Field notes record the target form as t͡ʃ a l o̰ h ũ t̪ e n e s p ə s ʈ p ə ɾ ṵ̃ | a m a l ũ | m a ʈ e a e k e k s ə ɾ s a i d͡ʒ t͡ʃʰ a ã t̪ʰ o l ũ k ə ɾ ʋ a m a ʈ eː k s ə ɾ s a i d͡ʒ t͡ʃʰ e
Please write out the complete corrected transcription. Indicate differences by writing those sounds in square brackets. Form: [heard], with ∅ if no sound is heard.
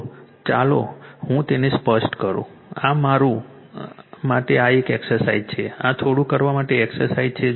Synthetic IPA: t͡ʃ a l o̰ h ũ t̪ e n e s p ə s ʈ [k] ə ɾ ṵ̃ | a m a [ɾ] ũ | m a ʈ e a e k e k s ə ɾ s a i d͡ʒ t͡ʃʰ [e] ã t̪ʰ o [ɽ] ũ k ə ɾ ʋ a m a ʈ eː k s ə ɾ s a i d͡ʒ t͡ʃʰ e